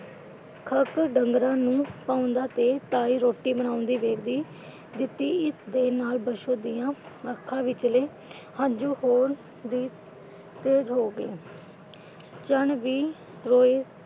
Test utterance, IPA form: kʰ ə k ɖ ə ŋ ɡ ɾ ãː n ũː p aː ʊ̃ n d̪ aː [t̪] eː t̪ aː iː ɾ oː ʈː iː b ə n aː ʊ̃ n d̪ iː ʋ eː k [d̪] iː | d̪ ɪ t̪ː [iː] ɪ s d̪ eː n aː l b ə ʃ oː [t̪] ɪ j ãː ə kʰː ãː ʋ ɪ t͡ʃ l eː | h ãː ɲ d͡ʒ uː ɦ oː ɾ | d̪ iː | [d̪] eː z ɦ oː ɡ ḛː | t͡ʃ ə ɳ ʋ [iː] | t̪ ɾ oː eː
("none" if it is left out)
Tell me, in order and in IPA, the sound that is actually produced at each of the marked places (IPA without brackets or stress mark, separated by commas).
t̪, d̪, iː, d̪, t̪, iː